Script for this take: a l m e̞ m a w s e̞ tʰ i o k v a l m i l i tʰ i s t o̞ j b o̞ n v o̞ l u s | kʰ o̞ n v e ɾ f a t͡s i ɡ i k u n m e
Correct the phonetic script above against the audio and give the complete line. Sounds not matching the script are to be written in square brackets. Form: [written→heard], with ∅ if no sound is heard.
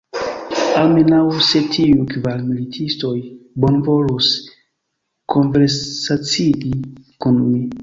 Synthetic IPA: a l m e̞ [m→n] a w s e̞ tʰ i [o→u] k v a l m i l i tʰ i s t o̞ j b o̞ n v o̞ l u s | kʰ o̞ n v e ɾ [f→s] a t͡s i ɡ i k u n m [e→i]